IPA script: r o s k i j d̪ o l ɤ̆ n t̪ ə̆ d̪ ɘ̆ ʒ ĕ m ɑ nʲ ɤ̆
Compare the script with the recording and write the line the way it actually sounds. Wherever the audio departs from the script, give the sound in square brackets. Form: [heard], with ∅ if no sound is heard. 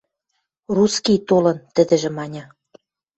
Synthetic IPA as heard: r [u] s k i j [t̪] o l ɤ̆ n t̪ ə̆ d̪ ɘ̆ ʒ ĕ m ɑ nʲ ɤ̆